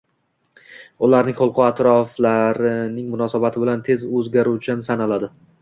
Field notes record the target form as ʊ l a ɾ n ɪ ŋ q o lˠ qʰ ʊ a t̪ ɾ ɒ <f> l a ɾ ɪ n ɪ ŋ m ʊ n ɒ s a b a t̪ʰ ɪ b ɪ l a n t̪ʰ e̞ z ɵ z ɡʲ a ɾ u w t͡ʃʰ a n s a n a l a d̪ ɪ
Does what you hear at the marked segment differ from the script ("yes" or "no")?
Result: no